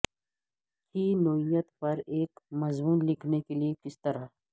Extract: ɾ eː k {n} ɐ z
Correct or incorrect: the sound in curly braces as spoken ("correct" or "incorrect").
incorrect